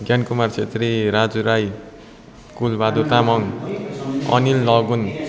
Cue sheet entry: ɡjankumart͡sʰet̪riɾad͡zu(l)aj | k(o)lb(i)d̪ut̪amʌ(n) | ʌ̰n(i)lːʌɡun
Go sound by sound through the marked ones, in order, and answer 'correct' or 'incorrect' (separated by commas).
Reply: incorrect, incorrect, incorrect, incorrect, correct